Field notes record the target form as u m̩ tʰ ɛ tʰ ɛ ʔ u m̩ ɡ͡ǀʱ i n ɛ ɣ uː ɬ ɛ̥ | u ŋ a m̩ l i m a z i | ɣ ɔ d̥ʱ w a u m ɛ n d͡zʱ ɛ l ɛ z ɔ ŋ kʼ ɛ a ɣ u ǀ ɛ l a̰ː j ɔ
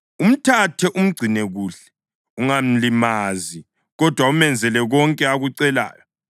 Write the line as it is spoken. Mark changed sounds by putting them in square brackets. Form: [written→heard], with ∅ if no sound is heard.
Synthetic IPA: u m̩ tʰ [ɛ→a] tʰ ɛ ʔ u m̩ ɡ͡ǀʱ i n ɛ ɣ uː ɬ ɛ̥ | u ŋ a m̩ l i m a z i | ɣ ɔ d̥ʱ w a u m ɛ n d͡zʱ ɛ l ɛ [z→ɣ] ɔ ŋ kʼ ɛ a ɣ u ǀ ɛ l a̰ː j ɔ